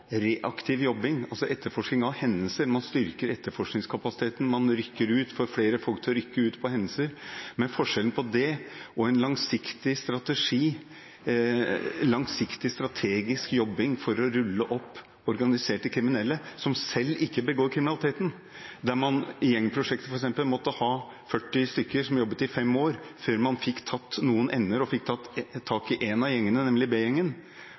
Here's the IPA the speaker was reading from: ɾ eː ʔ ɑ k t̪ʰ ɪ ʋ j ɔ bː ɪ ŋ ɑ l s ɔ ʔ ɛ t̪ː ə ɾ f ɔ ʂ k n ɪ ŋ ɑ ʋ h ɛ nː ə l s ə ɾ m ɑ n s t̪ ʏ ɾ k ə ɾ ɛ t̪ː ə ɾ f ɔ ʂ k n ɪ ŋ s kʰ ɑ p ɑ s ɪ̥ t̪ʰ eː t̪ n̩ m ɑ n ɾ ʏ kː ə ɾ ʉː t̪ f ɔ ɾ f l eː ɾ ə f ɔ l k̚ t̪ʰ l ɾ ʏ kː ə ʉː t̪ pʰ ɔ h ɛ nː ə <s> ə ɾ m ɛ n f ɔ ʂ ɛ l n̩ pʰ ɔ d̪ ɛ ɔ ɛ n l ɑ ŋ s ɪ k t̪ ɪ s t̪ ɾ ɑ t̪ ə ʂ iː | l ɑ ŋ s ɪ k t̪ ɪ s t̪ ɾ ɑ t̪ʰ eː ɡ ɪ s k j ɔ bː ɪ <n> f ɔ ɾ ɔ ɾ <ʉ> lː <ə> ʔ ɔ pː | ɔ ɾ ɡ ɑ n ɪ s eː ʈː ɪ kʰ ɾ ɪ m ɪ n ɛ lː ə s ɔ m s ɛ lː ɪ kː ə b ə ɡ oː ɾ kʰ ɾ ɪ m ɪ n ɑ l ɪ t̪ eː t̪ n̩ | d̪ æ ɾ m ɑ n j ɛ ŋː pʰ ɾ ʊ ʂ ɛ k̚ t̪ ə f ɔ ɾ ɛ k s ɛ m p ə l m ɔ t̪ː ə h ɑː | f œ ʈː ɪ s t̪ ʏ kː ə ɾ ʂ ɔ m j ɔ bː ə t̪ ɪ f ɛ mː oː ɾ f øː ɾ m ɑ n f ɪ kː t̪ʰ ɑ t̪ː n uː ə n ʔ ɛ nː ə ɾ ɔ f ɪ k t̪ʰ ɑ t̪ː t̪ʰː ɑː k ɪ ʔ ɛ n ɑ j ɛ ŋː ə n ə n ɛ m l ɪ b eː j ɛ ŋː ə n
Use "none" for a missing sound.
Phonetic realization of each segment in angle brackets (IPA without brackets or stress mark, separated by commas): s, ŋ, ʉ, ə